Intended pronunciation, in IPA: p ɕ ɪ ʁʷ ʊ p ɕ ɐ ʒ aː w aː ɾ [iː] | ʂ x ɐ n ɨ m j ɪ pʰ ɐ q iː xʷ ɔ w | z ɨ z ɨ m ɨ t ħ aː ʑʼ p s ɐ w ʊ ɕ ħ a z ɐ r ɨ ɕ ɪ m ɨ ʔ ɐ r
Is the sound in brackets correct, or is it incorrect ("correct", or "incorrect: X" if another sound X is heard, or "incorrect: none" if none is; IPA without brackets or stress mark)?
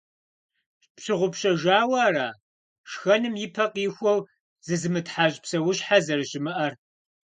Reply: incorrect: aː